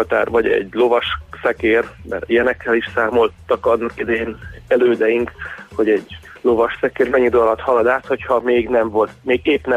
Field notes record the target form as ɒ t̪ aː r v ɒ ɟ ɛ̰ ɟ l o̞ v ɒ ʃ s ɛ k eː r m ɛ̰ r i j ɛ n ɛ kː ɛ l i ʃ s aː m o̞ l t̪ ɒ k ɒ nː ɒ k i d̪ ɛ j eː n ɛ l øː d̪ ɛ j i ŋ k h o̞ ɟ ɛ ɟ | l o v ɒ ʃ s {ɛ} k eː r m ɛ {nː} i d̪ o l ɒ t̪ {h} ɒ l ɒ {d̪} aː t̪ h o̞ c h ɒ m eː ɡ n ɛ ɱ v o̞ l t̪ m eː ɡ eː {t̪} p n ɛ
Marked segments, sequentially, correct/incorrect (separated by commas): correct, incorrect, correct, correct, incorrect